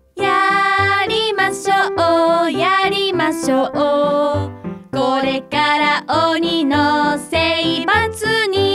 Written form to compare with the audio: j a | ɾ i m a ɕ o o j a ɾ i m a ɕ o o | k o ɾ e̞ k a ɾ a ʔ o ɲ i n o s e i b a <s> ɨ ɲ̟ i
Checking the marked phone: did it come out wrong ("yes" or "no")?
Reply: yes